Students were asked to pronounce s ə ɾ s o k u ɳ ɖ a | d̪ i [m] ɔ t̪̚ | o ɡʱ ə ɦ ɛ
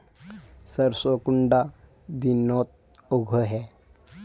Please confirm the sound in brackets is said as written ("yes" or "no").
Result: no